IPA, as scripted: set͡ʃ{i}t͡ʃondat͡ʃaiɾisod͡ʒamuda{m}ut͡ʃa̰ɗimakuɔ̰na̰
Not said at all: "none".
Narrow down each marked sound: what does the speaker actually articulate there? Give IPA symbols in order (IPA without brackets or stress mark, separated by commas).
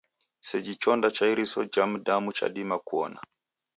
i, m